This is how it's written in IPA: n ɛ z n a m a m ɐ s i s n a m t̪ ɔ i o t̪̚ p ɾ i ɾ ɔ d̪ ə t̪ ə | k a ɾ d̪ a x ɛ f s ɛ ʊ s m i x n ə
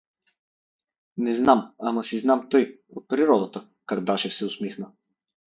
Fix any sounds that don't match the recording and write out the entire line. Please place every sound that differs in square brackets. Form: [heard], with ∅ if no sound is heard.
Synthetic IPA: n ɛ z n a m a m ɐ s i [z] n a m t̪ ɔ [j] o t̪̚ p ɾ i ɾ ɔ d̪ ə t̪ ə | k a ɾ d̪ a [ʃ] ɛ f s ɛ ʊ s m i x n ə